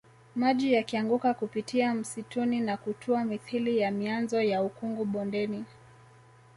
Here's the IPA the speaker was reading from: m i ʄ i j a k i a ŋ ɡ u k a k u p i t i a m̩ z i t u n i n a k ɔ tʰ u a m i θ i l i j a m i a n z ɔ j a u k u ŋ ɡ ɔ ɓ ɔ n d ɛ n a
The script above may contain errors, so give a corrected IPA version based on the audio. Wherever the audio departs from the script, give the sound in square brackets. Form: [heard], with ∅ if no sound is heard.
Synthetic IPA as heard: m [a] ʄ i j a k i a ŋ ɡ u k a k u p i t i a m̩ [s] i t u n i n a k [u] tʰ u a m i θ i l i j a m i a n z ɔ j a u k u ŋ ɡ [u] ɓ ɔ n d ɛ n [i]